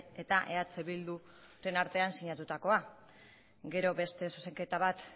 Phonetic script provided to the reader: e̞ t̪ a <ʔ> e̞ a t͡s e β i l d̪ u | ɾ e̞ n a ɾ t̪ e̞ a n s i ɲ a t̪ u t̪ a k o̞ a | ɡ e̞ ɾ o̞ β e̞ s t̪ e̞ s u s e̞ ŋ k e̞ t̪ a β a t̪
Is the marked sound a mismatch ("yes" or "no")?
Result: no